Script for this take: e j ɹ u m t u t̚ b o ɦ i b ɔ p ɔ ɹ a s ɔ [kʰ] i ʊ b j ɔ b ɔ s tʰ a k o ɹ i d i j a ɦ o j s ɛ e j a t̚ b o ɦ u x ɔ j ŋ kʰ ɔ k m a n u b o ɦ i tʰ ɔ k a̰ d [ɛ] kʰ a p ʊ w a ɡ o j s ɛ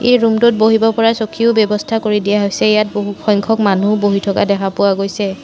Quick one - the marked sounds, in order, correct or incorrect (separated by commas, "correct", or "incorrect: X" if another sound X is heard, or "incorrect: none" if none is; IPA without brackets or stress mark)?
correct, correct